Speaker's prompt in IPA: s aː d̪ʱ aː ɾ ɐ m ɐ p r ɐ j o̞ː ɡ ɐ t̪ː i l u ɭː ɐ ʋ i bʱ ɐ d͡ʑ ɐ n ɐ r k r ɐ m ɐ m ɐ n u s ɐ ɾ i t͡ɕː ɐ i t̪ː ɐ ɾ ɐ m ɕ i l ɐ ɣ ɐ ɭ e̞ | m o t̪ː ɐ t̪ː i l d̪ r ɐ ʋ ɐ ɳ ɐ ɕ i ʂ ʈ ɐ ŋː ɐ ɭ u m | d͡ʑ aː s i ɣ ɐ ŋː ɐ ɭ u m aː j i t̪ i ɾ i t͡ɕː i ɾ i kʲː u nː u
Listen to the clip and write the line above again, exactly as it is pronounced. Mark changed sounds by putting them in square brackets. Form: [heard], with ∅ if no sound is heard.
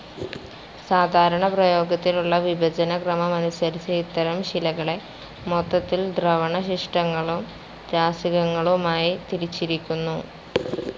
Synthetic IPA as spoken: s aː d̪ʱ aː ɾ ɐ [ɳ] ɐ p r ɐ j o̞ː ɡ ɐ t̪ː i l u ɭː ɐ ʋ i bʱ ɐ d͡ʑ ɐ n ɐ [∅] k r ɐ m ɐ m ɐ n u s ɐ ɾ i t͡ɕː ɐ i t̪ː ɐ ɾ ɐ m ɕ i l ɐ ɣ ɐ ɭ e̞ | m o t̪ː ɐ t̪ː i l d̪ r ɐ ʋ ɐ ɳ ɐ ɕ i ʂ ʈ ɐ ŋː ɐ ɭ u m | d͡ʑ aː s i ɣ ɐ ŋː ɐ ɭ u m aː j i t̪ i ɾ i t͡ɕː i ɾ i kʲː u nː u